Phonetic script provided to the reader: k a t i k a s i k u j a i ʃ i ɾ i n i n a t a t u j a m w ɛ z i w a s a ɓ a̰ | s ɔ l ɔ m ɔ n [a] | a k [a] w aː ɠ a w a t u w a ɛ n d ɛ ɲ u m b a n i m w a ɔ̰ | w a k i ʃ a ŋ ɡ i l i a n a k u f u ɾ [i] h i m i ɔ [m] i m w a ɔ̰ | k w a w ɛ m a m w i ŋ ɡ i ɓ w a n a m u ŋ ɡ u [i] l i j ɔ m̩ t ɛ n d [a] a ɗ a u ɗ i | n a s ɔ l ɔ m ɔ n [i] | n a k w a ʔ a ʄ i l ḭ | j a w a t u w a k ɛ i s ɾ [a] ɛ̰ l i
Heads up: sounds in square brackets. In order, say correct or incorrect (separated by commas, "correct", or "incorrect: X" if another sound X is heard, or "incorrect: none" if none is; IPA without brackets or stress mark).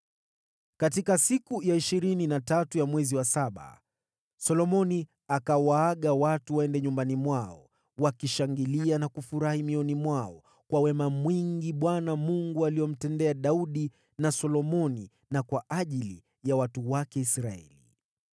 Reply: incorrect: i, correct, incorrect: a, incorrect: n, incorrect: a, incorrect: ɛ, correct, correct